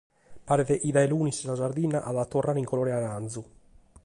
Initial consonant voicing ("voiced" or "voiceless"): voiceless